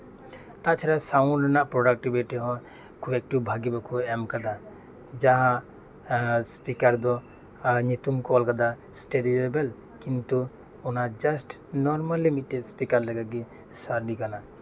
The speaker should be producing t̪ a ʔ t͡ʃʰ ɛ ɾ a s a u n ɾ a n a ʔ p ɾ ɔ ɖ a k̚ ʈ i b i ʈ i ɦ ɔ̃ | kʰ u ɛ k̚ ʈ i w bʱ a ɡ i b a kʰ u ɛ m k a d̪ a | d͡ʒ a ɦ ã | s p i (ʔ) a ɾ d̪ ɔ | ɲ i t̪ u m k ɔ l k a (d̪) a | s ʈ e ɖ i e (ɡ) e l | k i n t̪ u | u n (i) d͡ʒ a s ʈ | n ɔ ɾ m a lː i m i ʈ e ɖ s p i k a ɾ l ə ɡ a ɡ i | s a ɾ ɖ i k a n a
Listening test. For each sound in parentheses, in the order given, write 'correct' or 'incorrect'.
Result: incorrect: k, correct, incorrect: b, incorrect: a

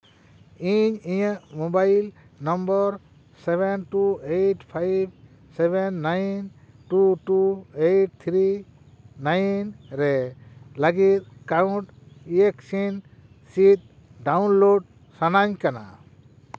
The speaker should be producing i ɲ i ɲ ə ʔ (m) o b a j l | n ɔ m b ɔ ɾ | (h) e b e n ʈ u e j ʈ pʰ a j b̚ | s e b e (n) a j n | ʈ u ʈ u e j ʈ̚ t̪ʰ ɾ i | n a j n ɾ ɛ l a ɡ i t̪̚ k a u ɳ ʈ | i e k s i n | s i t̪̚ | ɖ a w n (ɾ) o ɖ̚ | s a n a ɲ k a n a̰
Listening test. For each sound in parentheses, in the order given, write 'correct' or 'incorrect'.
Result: correct, incorrect: s, incorrect: nː, incorrect: l

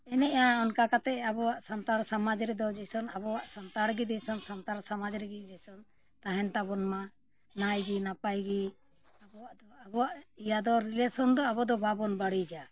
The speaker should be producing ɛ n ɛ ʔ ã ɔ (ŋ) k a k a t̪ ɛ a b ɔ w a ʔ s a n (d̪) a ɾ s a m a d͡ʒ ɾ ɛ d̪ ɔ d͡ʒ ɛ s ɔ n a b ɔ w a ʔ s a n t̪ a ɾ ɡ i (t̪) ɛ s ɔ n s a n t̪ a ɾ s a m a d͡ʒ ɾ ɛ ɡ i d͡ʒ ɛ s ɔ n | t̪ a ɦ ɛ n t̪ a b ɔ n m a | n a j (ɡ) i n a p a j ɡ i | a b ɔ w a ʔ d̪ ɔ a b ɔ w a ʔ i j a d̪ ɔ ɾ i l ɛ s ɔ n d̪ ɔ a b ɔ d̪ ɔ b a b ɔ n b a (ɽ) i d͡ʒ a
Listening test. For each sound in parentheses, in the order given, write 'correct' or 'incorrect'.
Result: incorrect: n, incorrect: t̪, incorrect: d̪, correct, correct

